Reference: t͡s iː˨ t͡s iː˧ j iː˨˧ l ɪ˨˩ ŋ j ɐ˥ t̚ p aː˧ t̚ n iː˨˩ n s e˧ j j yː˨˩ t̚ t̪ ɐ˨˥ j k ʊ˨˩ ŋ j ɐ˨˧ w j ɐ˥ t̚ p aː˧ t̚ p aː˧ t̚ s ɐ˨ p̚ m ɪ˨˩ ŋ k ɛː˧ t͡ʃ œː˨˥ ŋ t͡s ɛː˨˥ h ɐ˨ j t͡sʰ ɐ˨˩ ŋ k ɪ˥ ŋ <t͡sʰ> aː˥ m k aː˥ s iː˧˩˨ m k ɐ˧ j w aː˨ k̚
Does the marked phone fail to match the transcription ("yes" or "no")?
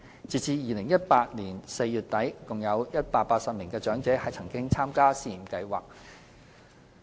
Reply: no